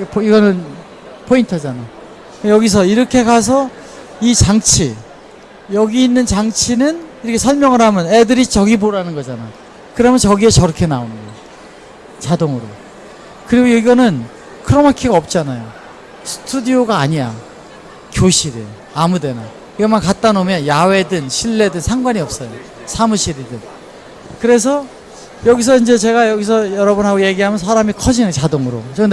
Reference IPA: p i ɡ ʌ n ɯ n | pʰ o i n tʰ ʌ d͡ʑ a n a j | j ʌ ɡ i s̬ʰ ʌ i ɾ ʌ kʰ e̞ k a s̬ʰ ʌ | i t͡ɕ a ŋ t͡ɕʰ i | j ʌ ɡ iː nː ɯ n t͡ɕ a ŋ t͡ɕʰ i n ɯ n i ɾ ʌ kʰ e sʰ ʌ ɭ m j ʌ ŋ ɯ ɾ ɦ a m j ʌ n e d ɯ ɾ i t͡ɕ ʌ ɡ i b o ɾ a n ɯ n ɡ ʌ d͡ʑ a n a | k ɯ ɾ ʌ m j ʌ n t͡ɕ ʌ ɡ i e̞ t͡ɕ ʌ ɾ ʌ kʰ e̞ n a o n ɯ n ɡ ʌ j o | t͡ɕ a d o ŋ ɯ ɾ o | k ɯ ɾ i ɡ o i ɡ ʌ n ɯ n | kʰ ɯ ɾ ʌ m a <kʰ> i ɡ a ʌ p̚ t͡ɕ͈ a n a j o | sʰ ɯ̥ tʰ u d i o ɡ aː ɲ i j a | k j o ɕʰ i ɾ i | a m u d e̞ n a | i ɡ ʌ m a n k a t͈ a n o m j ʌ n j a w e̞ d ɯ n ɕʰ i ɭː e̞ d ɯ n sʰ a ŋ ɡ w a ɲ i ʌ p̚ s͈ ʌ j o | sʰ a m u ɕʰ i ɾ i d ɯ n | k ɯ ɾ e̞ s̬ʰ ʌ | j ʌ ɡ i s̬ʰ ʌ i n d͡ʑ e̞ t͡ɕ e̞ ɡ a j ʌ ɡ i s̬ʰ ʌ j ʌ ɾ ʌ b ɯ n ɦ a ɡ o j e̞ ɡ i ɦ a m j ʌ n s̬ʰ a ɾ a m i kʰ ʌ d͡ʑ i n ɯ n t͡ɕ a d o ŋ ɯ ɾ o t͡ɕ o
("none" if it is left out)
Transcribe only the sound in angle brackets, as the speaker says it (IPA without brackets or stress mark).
kʰ